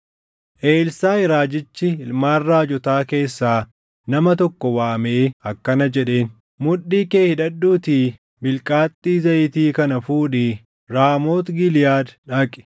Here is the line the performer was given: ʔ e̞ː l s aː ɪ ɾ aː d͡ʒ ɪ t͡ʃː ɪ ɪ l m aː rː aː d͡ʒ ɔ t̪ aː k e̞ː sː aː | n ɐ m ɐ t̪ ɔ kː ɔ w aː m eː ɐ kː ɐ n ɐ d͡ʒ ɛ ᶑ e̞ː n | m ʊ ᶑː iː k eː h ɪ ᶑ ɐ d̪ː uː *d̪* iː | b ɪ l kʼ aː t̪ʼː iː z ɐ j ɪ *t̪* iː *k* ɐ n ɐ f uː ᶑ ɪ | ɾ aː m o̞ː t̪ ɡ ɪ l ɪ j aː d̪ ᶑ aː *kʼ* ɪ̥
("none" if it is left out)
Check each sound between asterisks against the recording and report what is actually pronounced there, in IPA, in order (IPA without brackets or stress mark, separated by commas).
t̪, t̪, k, kʼ